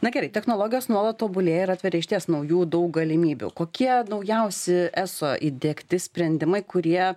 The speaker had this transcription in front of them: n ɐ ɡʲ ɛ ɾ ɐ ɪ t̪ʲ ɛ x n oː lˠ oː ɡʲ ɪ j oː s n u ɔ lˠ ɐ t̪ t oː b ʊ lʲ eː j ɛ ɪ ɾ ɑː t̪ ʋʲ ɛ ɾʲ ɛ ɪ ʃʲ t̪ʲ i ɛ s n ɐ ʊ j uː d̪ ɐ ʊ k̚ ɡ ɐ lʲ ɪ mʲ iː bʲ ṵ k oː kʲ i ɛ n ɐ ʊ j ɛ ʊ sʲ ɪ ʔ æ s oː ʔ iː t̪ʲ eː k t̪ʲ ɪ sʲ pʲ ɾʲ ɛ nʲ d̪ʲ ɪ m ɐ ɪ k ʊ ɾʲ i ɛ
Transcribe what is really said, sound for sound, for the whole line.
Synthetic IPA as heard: n ɐ ɡʲ ɛ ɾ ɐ ɪ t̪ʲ ɛ x n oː lˠ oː ɡʲ ɪ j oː s n u ɔ lˠ ɐ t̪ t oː b ʊ lʲ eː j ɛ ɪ ɾ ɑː t̪ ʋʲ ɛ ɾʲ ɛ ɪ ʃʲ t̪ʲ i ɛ s n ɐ ʊ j uː d̪ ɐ ʊ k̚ ɡ ɐ lʲ ɪ mʲ iː bʲ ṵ k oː kʲ i ɛ n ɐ ʊ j ɛ ʊ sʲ ɪ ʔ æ s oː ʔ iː d̪ʲ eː k t̪ʲ ɪ sʲ pʲ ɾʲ ɛ nʲ d̪ʲ ɪ m ɐ ɪ k ʊ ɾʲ i ɛ

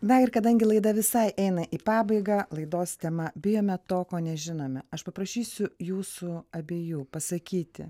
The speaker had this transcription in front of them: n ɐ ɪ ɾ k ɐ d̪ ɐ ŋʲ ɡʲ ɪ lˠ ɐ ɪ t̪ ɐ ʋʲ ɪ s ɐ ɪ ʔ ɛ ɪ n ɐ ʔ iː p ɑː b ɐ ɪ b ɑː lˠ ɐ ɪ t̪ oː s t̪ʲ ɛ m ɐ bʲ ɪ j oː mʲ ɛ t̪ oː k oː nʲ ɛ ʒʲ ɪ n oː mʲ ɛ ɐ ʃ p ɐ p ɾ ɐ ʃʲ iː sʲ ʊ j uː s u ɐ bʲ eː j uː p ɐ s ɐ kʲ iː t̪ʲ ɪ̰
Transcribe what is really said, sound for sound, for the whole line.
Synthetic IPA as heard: n ɐ ɪ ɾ k ɐ d̪ ɐ ŋʲ ɡʲ ɪ lˠ ɐ ɪ d̪ ɐ ʋʲ ɪ s ɐ ɪ ʔ ɛ ɪ n ɐ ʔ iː p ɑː b ɐ ɪ ɡ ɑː lˠ ɐ ɪ d̪ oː s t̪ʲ ɛ m ɐ bʲ ɪ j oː mʲ ɛ t̪ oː k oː nʲ ɛ ʒʲ ɪ n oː mʲ ɛ ɐ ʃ p ɐ p ɾ ɐ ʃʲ iː sʲ ʊ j uː s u ɐ bʲ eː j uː p ɐ s ɐ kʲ iː t̪ʲ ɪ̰

